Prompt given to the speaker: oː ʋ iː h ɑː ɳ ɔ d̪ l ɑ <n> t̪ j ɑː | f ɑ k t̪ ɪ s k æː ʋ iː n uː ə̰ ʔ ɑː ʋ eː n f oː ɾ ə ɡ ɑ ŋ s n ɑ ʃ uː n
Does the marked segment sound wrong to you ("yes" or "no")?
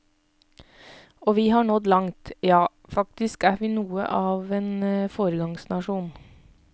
yes